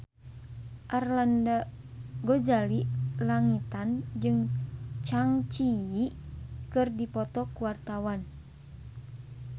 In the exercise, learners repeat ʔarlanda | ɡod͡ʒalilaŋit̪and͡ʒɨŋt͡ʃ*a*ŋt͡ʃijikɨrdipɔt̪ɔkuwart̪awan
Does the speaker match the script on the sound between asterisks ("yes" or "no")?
yes